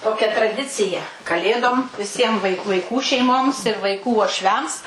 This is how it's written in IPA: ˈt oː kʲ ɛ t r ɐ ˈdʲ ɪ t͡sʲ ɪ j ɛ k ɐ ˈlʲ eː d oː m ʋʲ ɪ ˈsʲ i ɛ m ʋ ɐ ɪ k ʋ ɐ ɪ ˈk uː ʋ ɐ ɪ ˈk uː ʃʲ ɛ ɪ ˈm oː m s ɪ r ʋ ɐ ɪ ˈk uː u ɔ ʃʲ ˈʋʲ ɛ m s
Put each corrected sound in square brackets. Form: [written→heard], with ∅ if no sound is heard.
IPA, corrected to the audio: ˈt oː kʲ ɛ t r ɐ ˈdʲ ɪ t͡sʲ ɪ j ɛ k ɐ ˈlʲ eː d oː m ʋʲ ɪ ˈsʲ i ɛ m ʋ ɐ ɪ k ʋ ɐ ɪ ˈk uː ʋ ɐ ɪ ˈk uː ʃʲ ɛ ɪ ˈm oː m s ɪ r ʋ ɐ ɪ ˈk uː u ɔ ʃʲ ˈʋʲ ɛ m s